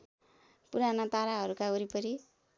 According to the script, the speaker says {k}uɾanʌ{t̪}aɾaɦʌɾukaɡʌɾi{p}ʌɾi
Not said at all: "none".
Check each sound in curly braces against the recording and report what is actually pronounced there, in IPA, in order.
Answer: p, t̪, p

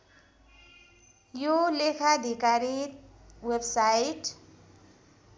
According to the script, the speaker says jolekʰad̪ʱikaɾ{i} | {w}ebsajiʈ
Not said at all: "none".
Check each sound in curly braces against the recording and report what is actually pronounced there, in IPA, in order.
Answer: i, w

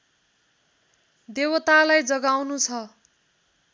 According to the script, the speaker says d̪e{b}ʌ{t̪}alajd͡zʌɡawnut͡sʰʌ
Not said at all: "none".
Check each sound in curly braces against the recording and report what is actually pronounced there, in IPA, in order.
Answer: w, t̪

